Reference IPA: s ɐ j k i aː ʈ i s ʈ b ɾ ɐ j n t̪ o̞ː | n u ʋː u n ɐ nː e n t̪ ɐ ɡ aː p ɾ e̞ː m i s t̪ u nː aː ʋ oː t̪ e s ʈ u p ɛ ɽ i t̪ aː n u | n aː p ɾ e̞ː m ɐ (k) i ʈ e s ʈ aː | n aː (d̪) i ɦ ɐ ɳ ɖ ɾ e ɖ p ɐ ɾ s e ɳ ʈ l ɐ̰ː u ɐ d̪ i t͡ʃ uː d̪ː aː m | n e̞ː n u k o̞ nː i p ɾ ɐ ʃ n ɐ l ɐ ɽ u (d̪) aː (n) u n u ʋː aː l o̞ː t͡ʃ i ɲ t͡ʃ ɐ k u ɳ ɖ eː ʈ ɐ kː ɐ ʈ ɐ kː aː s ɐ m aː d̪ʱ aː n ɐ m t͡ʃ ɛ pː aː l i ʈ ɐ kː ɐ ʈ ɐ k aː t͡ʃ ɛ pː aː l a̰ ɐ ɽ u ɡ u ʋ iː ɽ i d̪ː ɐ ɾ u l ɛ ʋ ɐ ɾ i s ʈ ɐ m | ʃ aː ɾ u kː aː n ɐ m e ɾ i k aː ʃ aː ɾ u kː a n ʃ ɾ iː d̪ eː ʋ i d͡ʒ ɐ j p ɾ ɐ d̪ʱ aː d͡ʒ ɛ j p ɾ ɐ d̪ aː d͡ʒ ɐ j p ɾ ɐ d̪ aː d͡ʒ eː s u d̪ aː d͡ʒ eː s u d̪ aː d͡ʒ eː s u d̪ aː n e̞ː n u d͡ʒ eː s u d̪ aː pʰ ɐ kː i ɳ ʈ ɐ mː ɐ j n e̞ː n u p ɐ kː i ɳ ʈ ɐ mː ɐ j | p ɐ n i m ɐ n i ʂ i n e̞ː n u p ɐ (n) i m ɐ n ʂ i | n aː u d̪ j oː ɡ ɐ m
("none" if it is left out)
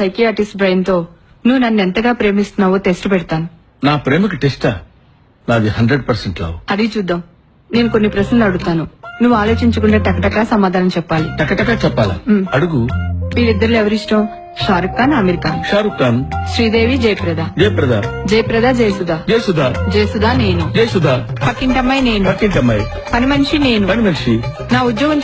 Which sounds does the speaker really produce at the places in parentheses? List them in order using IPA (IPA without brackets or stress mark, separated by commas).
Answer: k, d̪, t̪, n, n